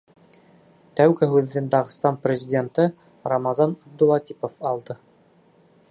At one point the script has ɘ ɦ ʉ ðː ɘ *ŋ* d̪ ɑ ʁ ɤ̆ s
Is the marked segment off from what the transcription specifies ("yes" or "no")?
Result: yes